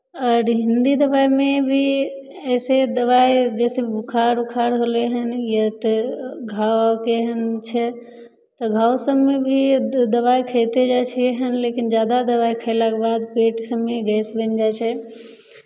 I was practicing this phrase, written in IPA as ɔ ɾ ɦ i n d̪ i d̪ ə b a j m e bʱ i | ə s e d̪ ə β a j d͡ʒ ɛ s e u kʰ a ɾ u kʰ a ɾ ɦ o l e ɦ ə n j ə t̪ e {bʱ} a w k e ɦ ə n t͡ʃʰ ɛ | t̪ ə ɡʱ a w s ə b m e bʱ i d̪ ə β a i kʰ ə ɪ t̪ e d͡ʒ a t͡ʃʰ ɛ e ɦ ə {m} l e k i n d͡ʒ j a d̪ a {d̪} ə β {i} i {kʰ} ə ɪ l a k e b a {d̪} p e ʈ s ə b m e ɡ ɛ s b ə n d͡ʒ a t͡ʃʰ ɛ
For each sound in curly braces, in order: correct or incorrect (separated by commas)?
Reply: incorrect, incorrect, correct, incorrect, correct, correct